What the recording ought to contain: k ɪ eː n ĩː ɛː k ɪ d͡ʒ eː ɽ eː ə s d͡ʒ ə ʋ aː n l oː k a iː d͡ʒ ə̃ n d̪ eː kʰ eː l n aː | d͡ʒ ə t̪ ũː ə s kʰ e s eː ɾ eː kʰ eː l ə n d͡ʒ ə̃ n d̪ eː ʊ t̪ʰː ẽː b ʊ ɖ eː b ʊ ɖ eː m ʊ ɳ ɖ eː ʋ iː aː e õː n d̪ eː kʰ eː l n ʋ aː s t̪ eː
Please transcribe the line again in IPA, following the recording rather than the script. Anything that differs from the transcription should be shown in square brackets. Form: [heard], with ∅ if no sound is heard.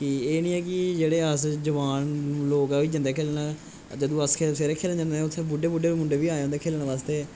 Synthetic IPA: k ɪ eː n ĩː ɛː k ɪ d͡ʒ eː ɽ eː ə s d͡ʒ ə ʋ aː n l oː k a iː d͡ʒ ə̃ n d̪ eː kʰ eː l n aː | d͡ʒ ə [d̪] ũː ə s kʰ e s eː ɾ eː kʰ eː l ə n d͡ʒ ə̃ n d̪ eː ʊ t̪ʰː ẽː b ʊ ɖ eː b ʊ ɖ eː m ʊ ɳ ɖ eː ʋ iː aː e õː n d̪ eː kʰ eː l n ʋ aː s t̪ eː